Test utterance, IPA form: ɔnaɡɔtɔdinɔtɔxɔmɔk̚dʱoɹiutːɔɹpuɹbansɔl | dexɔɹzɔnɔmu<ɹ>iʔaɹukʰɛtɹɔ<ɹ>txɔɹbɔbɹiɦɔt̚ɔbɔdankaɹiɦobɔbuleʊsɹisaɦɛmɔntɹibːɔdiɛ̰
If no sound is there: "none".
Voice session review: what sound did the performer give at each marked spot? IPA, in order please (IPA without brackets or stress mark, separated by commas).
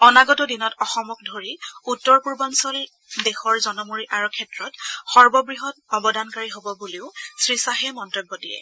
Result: ɹ, none